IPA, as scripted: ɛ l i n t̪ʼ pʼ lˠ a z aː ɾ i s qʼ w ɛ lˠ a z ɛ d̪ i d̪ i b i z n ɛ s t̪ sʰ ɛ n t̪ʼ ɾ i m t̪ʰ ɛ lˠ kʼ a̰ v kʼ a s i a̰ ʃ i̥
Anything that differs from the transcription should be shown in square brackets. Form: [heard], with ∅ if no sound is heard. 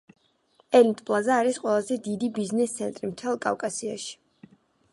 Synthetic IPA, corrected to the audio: ɛ l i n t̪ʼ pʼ lˠ a z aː ɾ i s qʼ w ɛ lˠ a z ɛ d̪ i d̪ i b i z n ɛ s t̪ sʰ ɛ n t̪ʼ ɾ i m t̪ʰ ɛ lˠ kʼ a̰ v kʼ a s i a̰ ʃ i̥